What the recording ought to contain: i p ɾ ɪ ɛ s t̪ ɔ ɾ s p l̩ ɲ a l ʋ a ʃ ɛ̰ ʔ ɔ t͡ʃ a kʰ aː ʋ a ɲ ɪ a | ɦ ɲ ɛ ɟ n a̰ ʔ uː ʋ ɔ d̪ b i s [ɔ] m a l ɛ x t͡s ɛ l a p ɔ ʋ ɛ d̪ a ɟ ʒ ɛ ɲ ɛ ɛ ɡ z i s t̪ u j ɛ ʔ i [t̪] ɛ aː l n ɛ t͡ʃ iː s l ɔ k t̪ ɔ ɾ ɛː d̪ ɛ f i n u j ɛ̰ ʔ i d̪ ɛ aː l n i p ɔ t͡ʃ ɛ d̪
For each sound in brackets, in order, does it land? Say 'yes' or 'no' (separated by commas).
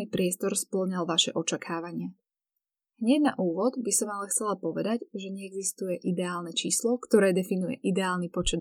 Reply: yes, no